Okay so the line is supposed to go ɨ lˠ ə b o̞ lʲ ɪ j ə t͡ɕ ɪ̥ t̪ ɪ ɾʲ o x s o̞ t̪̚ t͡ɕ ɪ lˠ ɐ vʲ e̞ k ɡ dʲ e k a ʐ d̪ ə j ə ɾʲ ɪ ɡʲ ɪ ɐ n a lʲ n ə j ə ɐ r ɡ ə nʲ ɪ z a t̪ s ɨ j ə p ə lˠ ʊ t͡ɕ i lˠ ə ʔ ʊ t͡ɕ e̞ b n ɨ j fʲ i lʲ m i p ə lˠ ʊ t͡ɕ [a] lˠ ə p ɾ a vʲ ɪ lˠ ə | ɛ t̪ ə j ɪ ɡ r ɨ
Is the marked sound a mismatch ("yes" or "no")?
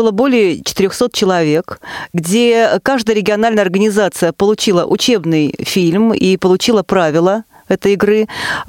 yes